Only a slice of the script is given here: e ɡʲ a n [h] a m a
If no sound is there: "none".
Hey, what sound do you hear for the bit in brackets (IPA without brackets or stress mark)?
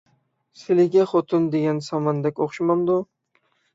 s